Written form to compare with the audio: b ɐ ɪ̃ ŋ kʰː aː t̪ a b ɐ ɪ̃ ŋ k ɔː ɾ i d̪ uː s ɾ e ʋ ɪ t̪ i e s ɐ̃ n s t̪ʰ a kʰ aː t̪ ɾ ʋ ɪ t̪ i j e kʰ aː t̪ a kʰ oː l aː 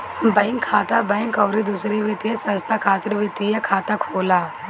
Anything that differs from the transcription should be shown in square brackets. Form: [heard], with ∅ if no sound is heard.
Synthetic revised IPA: b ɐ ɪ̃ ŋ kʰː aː t̪ a b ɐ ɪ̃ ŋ k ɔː ɾ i d̪ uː s ɾ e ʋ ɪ t̪ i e s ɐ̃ n s t̪ʰ a kʰ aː t̪ ɾ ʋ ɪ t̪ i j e kʰ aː t̪ a kʰ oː l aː